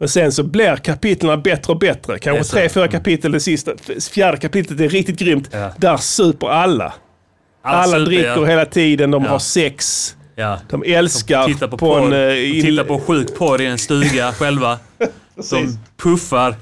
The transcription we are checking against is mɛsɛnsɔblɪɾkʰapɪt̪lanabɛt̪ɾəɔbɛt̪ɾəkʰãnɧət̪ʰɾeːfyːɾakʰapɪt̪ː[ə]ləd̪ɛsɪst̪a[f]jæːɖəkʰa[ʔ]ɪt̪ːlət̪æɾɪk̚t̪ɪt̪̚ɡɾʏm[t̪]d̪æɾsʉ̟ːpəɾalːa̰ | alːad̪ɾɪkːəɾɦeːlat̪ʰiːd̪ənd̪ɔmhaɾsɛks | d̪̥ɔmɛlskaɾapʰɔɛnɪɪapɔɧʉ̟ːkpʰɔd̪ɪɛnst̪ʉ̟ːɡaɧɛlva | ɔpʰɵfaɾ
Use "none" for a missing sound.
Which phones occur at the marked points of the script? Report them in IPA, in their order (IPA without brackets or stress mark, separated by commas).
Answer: ə, f, p, t̪